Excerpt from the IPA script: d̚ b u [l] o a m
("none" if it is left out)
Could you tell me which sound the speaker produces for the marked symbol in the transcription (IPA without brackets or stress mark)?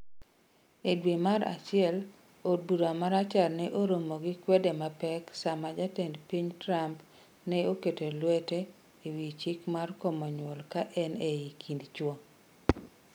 ɾ